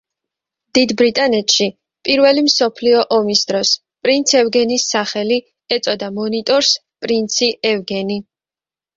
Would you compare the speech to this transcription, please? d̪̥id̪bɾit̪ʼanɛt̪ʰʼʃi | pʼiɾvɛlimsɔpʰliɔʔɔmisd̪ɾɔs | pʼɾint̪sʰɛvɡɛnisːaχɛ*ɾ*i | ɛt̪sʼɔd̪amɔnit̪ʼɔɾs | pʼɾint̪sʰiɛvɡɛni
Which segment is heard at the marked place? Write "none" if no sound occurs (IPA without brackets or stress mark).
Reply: l